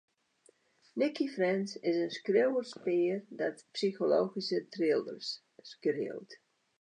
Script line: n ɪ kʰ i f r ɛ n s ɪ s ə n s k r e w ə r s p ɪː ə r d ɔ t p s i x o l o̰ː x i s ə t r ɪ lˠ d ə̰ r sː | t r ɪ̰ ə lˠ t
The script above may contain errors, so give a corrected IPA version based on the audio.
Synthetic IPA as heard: n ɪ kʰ i f r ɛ n s ɪ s ə n s k r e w ə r s p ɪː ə r d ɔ t p s i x o l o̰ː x i s ə t r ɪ lˠ d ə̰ r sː | k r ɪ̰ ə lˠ t